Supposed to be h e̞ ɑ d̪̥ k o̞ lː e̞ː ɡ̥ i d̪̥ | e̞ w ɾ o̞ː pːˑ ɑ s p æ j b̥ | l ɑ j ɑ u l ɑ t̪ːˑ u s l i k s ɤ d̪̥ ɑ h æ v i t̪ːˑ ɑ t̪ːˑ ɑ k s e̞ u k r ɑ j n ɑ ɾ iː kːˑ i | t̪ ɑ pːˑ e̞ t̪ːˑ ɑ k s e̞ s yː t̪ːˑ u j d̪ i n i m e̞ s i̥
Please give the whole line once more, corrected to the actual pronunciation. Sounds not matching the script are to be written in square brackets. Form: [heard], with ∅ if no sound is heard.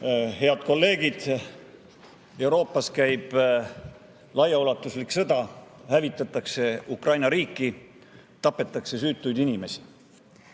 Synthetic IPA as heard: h e̞ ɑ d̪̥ k o̞ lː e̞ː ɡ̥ i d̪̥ | e̞ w ɾ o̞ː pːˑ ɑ s [k] æ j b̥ | l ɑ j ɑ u l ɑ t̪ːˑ u s l i k s ɤ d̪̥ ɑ h æ v i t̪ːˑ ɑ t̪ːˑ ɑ k s e̞ u k r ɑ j n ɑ ɾ iː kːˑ i | t̪ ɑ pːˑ e̞ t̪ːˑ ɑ k s e̞ s yː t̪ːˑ u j d̪ i n i m e̞ s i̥